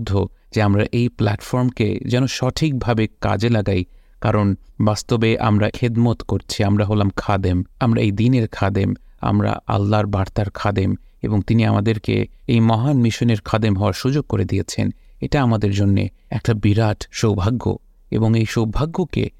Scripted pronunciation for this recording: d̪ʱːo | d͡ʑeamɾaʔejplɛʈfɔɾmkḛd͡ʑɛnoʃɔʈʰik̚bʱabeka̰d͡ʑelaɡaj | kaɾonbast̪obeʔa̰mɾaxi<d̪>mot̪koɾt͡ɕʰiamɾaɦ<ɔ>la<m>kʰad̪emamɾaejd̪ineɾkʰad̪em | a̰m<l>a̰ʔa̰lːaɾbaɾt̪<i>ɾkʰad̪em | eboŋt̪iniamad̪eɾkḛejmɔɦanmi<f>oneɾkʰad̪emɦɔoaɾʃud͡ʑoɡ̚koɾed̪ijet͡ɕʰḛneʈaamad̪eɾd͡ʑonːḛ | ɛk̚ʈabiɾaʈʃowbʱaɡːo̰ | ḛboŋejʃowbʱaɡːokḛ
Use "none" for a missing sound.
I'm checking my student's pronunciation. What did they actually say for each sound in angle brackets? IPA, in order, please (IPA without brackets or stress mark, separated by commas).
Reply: d̪, o, m, ɾ, a, ʃ